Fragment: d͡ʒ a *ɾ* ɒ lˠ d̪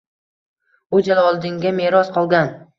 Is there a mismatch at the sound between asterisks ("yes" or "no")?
yes